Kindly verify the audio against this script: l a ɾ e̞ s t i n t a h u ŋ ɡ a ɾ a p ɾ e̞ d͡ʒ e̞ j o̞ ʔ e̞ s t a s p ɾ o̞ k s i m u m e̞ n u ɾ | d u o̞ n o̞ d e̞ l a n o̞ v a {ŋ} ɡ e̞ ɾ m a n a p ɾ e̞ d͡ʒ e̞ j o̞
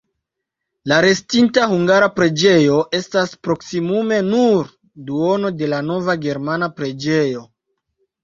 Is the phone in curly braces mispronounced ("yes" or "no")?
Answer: yes